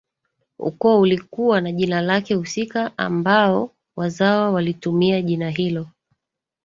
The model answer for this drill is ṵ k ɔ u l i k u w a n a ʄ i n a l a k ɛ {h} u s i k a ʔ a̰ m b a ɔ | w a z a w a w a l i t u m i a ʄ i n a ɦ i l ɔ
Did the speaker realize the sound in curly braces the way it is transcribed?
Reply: yes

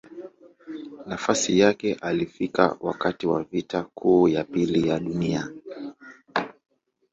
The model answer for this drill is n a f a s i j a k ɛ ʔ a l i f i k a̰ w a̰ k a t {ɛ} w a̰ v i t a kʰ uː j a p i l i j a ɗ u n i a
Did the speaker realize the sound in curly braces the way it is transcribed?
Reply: no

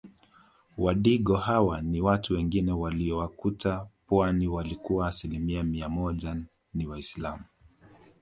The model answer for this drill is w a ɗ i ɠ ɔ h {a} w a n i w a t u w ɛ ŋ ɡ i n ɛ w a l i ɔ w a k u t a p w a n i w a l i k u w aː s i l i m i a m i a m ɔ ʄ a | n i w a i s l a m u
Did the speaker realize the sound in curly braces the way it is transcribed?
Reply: yes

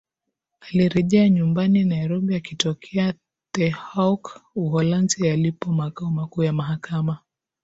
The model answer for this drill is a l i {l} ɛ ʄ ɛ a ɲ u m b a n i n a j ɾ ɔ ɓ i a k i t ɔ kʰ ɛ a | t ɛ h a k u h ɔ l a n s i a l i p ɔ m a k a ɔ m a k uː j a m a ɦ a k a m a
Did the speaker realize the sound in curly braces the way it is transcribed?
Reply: no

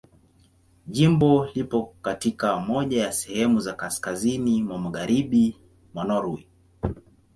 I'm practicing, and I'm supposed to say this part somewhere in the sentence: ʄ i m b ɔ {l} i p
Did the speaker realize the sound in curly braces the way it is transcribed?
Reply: yes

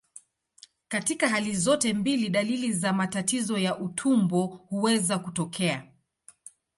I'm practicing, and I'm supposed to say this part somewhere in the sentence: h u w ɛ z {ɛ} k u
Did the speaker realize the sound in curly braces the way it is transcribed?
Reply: no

